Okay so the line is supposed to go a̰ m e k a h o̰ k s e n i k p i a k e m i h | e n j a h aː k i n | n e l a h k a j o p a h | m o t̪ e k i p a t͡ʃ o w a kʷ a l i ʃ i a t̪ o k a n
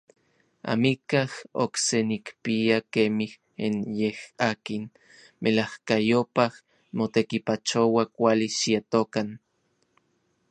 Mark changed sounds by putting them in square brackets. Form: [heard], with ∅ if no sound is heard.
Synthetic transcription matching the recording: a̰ m [i] k a h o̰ k s e n i k p i a k e m i h | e n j [e] h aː k i n | [m] e l a h k a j o p a h | m o t̪ e k i p a t͡ʃ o w a kʷ a l i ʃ i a t̪ o k a n